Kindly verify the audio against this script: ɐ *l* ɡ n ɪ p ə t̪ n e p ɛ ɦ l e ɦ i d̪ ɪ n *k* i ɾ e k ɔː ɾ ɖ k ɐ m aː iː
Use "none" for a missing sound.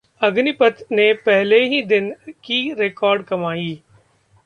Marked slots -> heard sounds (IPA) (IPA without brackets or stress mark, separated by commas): none, k